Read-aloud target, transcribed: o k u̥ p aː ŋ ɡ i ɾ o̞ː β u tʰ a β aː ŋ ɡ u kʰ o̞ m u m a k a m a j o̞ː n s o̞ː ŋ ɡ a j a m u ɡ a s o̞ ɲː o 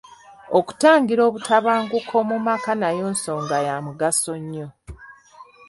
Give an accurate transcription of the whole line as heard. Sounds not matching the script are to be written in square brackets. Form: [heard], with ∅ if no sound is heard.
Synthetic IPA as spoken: o k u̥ [t] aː ŋ ɡ i ɾ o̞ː β u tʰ a β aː ŋ ɡ u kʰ o̞ m u m a k a [n] a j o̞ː n s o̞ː ŋ ɡ a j a m u ɡ a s o̞ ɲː o